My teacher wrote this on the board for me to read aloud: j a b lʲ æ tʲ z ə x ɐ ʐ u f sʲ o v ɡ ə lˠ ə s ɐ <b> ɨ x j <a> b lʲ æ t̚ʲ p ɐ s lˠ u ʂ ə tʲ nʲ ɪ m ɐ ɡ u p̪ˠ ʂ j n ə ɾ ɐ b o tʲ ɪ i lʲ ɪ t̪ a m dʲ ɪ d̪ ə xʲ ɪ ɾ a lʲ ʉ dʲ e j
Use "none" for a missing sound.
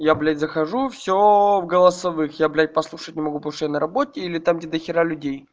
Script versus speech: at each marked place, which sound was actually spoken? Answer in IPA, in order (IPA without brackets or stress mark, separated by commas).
v, a